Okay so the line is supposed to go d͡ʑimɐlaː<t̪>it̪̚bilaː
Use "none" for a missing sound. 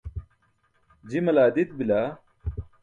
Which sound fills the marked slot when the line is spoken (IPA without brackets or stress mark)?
d̪